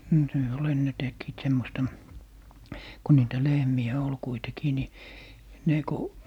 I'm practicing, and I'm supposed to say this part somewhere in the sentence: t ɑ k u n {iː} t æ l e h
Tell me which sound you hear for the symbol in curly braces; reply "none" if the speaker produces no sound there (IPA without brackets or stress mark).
iː